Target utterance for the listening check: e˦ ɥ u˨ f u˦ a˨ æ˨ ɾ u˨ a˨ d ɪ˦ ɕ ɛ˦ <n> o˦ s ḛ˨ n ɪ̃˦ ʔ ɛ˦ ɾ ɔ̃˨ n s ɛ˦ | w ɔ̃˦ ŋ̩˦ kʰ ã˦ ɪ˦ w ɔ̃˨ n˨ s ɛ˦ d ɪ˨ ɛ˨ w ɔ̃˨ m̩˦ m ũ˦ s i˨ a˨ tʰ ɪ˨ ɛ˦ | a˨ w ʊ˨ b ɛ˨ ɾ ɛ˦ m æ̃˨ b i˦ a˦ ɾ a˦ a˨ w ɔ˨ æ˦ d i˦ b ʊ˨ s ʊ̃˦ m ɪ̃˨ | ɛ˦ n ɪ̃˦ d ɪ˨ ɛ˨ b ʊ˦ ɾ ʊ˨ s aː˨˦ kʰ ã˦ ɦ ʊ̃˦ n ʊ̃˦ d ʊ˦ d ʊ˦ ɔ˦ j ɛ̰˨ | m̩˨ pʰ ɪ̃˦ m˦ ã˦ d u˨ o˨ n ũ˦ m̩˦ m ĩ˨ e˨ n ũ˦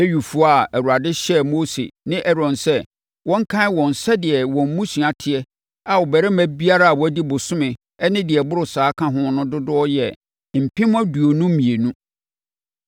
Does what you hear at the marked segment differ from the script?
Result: yes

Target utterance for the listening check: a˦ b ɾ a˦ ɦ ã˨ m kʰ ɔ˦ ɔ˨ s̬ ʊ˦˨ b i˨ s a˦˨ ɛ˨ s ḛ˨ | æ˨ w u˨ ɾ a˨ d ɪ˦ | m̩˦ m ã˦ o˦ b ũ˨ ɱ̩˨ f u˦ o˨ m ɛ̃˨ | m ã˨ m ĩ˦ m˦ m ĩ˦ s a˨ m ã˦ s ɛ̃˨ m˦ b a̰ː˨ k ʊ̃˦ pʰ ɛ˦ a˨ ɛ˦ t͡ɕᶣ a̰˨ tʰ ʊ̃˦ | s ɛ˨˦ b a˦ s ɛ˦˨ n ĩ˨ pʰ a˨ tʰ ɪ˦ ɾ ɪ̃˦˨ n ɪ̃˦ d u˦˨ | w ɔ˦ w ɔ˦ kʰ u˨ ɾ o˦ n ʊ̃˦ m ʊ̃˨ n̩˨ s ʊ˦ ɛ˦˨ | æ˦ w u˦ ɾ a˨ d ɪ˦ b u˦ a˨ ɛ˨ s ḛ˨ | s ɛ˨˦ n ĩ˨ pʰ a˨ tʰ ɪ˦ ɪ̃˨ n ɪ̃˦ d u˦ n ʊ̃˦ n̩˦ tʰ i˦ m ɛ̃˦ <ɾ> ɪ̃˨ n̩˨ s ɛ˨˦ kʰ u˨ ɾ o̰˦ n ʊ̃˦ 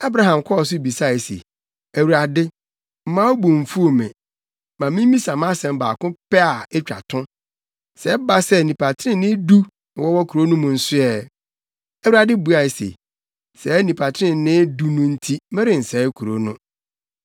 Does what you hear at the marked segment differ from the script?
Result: no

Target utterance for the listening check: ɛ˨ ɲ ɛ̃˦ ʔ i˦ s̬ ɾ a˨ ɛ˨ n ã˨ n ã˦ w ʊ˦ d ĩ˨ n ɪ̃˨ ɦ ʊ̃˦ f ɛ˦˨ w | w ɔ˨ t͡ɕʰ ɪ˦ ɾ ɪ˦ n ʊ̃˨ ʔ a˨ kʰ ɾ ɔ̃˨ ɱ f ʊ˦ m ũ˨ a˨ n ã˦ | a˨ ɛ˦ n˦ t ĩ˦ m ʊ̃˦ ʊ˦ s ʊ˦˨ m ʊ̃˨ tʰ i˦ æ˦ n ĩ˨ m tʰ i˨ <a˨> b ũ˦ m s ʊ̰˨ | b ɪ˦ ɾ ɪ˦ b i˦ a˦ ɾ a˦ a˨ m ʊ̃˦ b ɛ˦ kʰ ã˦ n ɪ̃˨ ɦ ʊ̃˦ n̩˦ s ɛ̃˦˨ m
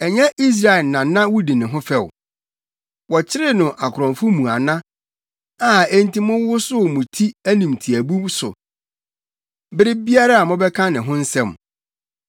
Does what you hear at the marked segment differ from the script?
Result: yes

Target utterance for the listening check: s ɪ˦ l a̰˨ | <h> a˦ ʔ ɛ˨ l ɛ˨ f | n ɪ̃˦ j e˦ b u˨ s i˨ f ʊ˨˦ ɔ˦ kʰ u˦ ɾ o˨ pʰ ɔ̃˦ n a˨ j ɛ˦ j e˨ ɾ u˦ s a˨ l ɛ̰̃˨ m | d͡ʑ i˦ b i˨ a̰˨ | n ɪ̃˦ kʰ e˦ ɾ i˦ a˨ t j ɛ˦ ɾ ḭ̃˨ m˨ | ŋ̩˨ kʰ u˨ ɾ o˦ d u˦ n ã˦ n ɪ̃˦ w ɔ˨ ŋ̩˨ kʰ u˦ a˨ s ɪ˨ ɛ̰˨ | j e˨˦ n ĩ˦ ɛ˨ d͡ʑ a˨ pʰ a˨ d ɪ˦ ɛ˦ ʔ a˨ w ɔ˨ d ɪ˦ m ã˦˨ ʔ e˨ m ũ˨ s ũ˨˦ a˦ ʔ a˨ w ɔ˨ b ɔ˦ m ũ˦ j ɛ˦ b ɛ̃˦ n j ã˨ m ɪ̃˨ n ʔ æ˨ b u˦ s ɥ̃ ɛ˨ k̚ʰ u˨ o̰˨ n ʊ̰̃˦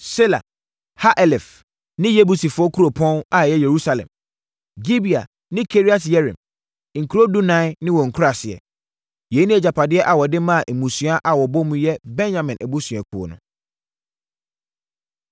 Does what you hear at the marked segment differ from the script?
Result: no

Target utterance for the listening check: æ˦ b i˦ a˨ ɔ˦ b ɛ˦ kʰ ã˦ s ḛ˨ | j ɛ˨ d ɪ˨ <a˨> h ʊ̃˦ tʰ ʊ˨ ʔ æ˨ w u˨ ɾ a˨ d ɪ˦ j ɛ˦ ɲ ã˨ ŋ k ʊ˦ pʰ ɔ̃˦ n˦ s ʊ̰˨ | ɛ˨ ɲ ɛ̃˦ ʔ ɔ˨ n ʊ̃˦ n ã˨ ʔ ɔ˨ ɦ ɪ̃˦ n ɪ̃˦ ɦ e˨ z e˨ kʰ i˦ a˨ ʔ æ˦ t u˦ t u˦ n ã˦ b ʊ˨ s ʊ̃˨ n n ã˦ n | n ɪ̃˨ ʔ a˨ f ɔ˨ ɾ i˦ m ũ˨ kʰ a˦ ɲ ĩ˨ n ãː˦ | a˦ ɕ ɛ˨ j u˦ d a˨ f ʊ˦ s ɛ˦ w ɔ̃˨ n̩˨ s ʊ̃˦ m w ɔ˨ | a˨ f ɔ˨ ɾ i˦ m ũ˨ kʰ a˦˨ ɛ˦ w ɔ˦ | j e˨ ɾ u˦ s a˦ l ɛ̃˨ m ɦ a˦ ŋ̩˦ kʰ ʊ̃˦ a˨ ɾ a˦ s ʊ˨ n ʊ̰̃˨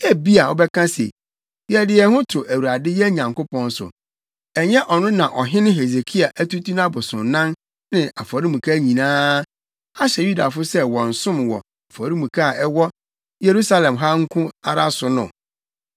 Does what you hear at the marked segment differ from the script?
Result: yes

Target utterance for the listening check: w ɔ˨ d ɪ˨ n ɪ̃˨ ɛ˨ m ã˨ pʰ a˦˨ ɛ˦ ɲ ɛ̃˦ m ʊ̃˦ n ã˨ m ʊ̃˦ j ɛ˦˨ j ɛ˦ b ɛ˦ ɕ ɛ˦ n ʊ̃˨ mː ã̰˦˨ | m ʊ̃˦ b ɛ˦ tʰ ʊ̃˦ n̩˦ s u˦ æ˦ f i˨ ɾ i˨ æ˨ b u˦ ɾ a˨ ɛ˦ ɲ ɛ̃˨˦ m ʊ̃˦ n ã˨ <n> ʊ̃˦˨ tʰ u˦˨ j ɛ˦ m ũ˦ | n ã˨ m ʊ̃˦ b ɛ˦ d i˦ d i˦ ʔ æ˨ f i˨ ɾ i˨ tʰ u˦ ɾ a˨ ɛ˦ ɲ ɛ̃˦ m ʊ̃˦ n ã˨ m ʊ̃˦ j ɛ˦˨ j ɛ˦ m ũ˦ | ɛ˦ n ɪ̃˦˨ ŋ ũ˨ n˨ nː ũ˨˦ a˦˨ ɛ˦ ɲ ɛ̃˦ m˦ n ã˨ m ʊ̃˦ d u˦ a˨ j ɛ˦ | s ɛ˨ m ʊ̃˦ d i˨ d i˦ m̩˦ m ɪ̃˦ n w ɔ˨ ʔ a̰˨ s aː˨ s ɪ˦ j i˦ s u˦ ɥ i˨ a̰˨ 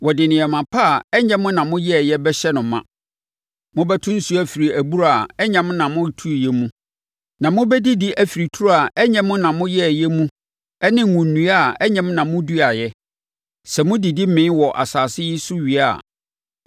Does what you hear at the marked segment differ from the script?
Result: yes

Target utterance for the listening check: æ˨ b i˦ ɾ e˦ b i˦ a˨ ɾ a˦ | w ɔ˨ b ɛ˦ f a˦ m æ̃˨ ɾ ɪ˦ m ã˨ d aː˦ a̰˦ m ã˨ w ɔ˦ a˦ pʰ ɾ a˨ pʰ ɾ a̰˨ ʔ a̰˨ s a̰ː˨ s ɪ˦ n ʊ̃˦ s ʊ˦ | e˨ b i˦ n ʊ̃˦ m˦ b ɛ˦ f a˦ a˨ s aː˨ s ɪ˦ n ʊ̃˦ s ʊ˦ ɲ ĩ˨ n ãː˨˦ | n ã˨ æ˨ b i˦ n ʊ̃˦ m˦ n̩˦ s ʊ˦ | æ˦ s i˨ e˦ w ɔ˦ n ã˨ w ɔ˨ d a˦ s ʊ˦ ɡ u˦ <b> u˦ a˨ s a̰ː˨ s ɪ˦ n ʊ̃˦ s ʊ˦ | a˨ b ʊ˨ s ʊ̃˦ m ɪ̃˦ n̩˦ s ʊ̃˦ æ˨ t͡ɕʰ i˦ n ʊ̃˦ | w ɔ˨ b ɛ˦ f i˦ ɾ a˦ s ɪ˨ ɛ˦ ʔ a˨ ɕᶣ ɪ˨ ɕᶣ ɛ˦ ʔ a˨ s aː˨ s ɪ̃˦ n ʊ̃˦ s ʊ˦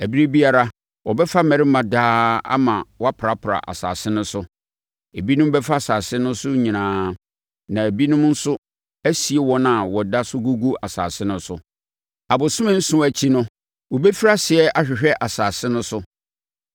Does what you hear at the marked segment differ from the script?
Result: yes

